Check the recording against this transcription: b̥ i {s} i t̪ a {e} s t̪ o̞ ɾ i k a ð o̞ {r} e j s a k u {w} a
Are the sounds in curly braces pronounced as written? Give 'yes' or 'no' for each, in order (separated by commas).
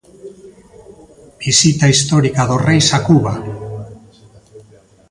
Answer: yes, no, yes, no